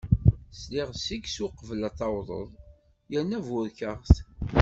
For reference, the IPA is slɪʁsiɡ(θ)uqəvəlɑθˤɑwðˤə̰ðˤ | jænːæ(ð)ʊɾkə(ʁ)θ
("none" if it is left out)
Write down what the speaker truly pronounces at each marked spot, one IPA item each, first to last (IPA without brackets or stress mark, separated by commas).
s, v, ʁ